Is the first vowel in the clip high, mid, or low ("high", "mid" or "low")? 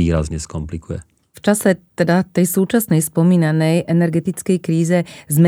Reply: high